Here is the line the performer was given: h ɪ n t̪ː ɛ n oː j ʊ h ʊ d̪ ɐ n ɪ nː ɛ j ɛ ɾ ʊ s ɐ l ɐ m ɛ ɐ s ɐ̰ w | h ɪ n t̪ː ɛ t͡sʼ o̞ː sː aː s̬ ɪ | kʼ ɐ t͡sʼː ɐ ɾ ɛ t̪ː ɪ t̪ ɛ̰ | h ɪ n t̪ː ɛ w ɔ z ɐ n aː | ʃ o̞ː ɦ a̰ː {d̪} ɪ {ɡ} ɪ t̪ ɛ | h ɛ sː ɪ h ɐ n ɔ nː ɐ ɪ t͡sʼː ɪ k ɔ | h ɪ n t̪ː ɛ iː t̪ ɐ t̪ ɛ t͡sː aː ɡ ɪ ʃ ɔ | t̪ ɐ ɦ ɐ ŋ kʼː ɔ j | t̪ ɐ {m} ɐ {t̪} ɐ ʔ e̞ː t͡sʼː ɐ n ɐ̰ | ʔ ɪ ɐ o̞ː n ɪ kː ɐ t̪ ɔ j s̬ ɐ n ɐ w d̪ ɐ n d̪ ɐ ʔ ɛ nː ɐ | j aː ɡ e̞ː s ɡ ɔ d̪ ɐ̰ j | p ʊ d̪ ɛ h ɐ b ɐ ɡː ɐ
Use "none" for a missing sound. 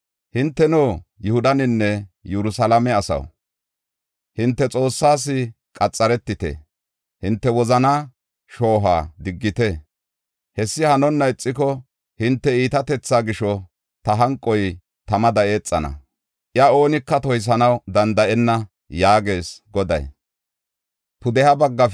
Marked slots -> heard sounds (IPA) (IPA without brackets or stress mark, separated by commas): d̪, ɡː, m, d̪